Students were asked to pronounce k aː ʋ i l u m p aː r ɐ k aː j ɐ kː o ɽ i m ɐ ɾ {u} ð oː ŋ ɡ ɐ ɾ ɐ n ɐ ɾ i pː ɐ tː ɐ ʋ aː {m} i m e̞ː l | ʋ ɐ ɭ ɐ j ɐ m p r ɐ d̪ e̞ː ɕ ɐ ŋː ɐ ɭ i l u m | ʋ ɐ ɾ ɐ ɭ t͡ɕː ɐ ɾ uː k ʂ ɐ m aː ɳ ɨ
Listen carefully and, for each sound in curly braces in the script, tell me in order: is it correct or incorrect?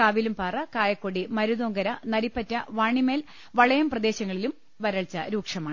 correct, incorrect

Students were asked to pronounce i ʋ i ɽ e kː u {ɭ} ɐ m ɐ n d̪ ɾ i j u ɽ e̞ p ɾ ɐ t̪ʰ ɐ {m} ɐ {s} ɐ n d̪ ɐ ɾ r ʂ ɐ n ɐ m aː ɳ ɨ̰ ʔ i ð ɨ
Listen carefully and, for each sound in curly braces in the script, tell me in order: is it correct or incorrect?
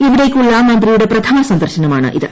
incorrect, correct, correct

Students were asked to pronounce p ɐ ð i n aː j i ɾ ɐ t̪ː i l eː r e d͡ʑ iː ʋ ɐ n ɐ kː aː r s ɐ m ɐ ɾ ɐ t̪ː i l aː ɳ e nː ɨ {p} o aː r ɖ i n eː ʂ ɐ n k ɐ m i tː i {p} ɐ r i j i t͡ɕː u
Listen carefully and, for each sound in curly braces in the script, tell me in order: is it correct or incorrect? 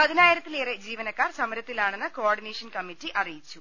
incorrect, incorrect

